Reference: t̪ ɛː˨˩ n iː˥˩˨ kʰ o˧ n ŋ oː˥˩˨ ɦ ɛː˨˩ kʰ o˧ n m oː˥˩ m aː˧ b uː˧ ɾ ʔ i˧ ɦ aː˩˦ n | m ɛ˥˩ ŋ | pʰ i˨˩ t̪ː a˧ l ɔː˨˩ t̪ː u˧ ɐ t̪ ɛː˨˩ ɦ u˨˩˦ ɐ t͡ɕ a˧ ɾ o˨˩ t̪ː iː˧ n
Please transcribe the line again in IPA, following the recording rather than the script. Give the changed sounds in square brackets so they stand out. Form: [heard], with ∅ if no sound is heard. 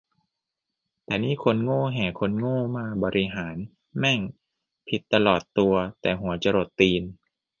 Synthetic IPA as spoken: t̪ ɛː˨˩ n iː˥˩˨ kʰ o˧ n ŋ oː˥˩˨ ɦ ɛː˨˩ kʰ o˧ n [ŋ] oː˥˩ m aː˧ b [ɔː˧] ɾ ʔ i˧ ɦ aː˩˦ n | m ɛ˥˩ ŋ | pʰ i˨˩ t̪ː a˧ l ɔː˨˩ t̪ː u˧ ɐ t̪ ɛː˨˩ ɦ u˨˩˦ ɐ t͡ɕ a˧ ɾ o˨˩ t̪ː iː˧ n